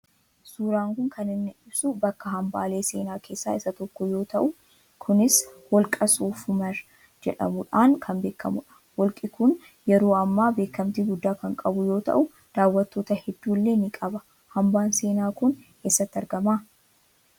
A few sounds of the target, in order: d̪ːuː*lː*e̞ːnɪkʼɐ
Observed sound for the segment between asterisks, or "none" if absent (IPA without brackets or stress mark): lː